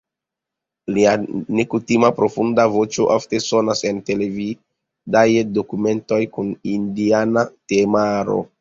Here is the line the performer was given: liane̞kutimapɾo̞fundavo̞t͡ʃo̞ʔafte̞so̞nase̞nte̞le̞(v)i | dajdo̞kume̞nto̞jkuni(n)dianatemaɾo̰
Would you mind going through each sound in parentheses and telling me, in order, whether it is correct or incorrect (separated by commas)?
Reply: correct, correct